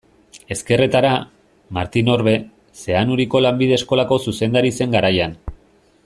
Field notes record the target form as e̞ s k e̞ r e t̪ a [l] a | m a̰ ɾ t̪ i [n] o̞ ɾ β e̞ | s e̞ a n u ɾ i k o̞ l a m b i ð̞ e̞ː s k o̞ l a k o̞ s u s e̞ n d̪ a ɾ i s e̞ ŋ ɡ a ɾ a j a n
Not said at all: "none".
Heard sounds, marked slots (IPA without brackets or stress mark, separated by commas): ɾ, n